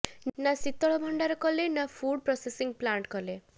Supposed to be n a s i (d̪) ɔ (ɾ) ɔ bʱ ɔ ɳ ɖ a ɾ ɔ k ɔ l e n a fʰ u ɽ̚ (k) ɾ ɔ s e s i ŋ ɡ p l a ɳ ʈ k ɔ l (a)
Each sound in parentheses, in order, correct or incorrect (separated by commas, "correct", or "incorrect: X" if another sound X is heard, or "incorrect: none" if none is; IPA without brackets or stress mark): incorrect: t̪, incorrect: ɭ, incorrect: p, incorrect: e